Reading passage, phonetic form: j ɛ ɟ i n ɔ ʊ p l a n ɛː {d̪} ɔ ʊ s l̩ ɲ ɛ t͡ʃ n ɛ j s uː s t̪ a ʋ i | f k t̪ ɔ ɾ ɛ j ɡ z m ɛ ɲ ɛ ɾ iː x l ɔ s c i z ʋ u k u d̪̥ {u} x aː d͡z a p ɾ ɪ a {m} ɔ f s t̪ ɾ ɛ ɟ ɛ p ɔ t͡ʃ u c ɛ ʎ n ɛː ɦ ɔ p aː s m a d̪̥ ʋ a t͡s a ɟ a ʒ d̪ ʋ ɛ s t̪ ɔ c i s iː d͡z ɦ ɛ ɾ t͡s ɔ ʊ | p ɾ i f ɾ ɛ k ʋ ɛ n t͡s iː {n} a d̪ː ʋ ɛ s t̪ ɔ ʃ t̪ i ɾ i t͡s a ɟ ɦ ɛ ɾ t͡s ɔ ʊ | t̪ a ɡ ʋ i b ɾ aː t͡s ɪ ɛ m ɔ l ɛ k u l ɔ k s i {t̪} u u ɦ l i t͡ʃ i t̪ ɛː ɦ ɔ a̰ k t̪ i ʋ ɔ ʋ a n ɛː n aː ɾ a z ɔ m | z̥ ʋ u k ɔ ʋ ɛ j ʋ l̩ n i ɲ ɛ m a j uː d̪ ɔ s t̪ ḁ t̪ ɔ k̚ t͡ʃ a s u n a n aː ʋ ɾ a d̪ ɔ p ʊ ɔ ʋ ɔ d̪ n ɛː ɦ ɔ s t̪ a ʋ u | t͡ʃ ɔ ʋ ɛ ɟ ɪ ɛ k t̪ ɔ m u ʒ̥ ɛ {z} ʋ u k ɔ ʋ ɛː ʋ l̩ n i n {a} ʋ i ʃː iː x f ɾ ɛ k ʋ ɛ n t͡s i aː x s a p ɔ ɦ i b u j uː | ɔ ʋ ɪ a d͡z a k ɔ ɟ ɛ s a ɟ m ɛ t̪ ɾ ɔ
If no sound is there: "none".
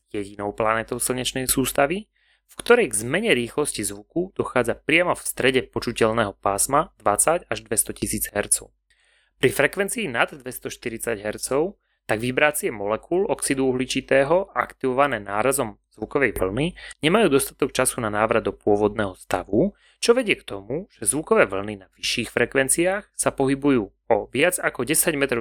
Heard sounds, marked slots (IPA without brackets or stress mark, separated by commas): t̪, ɔ, m, n, d̪, z, a